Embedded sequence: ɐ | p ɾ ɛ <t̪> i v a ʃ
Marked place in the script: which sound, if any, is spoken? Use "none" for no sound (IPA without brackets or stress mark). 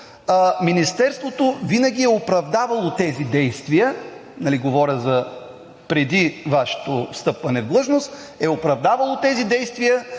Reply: d̪